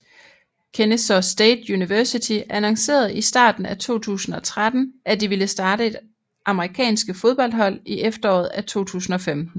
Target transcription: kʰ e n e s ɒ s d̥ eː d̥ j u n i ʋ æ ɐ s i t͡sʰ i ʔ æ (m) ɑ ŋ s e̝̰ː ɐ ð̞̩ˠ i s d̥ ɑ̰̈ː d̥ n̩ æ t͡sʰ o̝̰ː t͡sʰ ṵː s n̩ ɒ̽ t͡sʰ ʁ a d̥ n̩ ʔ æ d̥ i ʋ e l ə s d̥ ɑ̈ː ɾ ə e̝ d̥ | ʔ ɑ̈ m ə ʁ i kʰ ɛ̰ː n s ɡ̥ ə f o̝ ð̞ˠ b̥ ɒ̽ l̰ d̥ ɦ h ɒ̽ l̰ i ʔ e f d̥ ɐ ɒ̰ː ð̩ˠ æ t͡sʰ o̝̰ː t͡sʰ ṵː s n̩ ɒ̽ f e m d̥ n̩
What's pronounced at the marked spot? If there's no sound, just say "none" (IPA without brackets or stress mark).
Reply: n